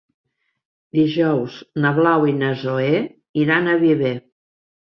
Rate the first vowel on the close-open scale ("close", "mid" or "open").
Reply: close